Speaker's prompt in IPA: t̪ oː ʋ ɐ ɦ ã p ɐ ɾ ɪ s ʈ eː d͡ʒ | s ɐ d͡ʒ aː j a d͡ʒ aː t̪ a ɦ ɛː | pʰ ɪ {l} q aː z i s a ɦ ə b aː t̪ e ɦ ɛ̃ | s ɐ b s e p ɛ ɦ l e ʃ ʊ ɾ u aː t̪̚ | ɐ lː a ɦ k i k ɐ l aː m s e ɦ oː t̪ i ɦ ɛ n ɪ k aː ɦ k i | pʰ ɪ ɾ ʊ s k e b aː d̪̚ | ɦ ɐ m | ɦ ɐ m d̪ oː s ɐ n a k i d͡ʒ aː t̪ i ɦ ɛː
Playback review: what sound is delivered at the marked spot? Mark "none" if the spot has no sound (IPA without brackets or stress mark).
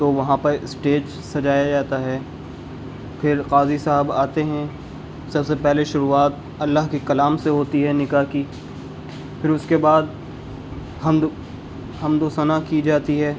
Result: ɾ